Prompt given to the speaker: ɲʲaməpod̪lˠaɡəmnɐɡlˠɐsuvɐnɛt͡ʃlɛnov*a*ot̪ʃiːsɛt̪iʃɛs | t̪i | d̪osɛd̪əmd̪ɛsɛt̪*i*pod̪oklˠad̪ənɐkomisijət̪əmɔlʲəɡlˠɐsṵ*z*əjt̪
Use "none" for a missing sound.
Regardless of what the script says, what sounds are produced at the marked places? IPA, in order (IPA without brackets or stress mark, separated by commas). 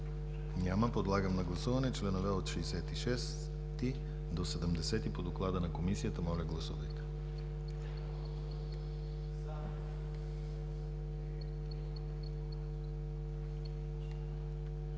ɛ, i, v